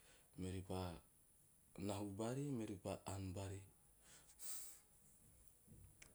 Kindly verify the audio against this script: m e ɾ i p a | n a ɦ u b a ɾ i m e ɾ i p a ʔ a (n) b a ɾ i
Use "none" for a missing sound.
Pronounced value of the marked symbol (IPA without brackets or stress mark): n